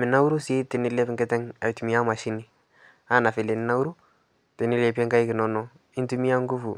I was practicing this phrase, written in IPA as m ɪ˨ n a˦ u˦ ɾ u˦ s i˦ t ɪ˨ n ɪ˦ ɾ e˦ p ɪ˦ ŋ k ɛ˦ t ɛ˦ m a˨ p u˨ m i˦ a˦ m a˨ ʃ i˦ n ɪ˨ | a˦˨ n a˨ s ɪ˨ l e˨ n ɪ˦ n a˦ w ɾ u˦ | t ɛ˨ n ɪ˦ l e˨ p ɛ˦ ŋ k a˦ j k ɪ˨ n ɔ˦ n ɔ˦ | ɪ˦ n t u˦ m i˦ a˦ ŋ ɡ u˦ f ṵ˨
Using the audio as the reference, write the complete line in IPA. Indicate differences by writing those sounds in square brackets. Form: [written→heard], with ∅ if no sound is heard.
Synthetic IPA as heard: m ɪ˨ n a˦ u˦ ɾ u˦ s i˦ t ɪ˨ n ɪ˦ [ɾ→l] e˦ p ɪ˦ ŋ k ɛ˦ t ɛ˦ [m→ŋ] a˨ [p→t] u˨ m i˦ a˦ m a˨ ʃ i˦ n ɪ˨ | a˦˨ n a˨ [s→f] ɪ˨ l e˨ n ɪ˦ n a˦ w ɾ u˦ | t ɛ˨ n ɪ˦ l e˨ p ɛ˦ ŋ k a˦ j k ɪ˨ n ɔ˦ n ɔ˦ | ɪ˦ n t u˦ m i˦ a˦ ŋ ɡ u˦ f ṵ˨